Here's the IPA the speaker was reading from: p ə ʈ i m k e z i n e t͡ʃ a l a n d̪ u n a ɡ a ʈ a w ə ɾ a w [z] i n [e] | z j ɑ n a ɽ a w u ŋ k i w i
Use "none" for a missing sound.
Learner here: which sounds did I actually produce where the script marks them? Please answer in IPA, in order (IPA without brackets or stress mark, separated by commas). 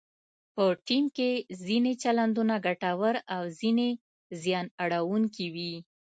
z, e